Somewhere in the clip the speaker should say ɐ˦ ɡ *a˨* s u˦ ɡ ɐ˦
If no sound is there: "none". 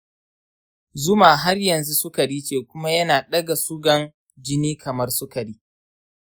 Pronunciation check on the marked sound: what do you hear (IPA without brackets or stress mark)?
a˨